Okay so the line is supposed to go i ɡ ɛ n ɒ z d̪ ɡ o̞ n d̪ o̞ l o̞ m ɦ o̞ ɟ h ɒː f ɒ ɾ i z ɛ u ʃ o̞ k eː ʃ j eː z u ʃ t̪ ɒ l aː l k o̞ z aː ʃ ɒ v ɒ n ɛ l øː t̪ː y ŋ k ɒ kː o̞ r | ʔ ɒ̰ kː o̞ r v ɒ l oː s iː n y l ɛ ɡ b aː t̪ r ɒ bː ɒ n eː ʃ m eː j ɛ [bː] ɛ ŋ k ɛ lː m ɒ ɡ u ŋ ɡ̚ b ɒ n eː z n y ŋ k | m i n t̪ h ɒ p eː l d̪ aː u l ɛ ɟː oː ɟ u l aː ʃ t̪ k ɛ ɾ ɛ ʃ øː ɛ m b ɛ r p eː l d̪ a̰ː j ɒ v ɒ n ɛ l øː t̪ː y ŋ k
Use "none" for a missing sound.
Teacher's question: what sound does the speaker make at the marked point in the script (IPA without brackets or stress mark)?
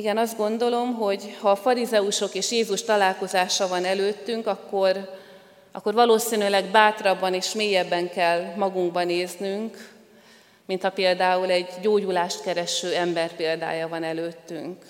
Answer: bː